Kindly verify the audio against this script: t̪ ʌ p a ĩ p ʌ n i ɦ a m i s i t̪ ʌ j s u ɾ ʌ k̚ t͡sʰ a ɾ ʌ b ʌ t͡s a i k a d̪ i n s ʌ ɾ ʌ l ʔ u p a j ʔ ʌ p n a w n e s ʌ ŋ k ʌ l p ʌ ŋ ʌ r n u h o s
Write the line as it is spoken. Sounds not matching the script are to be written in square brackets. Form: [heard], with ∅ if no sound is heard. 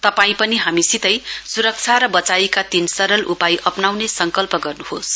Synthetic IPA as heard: t̪ ʌ p a ĩ p ʌ n i ɦ a m i s i t̪ ʌ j s u ɾ ʌ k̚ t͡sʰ a ɾ ʌ b ʌ t͡s a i k a [t̪] i n s ʌ ɾ ʌ l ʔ u p a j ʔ ʌ p n a w n e s ʌ ŋ k ʌ l p ʌ [ɡ] ʌ r n u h o s